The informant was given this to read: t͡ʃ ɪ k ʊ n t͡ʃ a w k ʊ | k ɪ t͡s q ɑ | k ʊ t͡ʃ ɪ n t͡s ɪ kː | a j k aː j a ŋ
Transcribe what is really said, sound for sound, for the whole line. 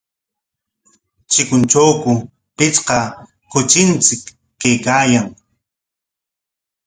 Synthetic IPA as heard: t͡ʃ ɪ k ʊ n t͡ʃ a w k ʊ | p ɪ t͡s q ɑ | k ʊ t͡ʃ ɪ n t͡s ɪ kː | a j k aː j a ŋ